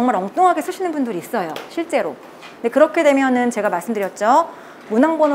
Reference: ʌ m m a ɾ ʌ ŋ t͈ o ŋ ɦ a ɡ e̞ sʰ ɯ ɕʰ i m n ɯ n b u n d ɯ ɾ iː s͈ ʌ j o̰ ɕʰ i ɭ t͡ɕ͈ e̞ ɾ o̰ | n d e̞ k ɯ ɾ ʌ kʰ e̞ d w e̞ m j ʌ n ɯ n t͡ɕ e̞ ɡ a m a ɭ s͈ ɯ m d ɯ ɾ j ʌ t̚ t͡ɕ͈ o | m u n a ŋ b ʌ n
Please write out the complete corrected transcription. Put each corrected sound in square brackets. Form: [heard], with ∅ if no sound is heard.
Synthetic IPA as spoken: ʌ [ŋ] m a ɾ ʌ ŋ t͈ o ŋ ɦ a ɡ e̞ sʰ ɯ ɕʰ i [∅] n ɯ n b u n d ɯ ɾ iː s͈ ʌ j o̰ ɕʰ i ɭ t͡ɕ͈ e̞ ɾ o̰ | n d e̞ k ɯ ɾ ʌ kʰ e̞ d w e̞ m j ʌ n ɯ n t͡ɕ e̞ ɡ a m a ɭ s͈ ɯ m d ɯ ɾ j ʌ t̚ t͡ɕ͈ o | m u n a ŋ b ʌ n